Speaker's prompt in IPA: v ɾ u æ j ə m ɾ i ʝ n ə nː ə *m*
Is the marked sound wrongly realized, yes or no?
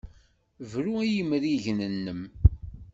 no